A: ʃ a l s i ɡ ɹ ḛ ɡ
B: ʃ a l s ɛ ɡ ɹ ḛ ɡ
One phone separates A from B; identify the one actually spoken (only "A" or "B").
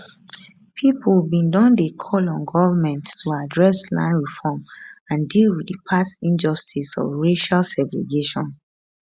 B